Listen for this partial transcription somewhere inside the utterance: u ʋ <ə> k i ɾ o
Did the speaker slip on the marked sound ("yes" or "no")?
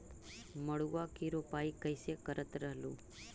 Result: yes